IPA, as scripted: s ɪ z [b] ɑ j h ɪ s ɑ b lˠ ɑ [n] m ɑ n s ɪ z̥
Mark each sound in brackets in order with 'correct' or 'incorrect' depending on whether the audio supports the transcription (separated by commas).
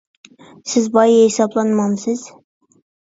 correct, correct